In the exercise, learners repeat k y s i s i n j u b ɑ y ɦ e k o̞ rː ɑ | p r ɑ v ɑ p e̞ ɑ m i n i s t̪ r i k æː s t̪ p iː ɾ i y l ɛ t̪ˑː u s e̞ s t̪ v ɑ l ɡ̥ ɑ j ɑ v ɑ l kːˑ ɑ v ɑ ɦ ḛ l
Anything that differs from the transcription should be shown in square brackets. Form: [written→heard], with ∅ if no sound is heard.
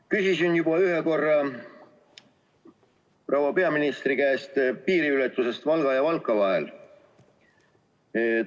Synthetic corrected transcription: k y s i s i n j u b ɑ y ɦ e k o̞ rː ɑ | p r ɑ [v→w] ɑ p e̞ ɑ m i n i s t̪ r i k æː s t̪ p iː ɾ i y l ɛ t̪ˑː u s e̞ s t̪ v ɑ l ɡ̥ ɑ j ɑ v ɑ l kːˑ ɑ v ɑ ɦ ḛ l